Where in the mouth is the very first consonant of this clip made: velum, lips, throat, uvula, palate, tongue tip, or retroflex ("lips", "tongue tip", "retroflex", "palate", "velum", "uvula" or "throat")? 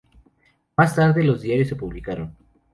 lips